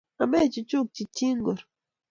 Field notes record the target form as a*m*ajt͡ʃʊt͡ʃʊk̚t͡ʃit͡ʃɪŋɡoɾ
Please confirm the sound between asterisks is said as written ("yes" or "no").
yes